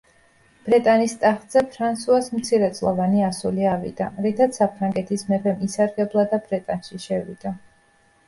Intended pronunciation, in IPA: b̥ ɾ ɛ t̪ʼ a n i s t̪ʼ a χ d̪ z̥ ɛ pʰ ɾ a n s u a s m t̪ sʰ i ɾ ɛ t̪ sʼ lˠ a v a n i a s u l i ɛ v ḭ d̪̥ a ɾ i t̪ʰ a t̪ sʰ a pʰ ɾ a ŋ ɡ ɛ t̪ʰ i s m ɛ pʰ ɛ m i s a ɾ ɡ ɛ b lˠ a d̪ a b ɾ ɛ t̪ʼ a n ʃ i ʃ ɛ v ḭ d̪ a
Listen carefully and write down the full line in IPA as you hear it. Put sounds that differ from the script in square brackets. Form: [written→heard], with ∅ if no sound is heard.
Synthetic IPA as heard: b̥ ɾ ɛ t̪ʼ a n i s t̪ʼ a χ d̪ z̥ ɛ pʰ ɾ a n s u a s m t̪ sʰ i ɾ ɛ t̪ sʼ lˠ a v a n i a s u l i [ɛ→a] v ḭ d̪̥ a ɾ i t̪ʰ a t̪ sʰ a pʰ ɾ a ŋ ɡ ɛ t̪ʰ i s m ɛ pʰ ɛ m i s a ɾ ɡ ɛ b lˠ a d̪ a b ɾ ɛ t̪ʼ a n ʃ i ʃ ɛ v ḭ d̪ a